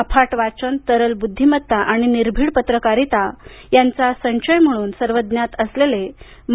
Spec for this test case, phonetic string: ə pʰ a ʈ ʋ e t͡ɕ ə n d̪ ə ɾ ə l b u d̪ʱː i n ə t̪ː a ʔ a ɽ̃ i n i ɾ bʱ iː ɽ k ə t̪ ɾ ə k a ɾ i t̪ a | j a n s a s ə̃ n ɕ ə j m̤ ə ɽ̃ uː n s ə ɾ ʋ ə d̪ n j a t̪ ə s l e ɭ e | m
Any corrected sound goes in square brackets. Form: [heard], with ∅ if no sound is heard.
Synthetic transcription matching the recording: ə pʰ a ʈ ʋ [a] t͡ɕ ə n [t̪] ə ɾ ə l b u d̪ʱː i [m] ə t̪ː a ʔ a ɽ̃ i n i ɾ bʱ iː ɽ [p] ə t̪ ɾ ə k a ɾ i t̪ a | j a n [t͡s] a s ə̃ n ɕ ə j m̤ ə ɽ̃ uː n s ə ɾ ʋ ə d̪ n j a t̪ ə s l e [l] e | m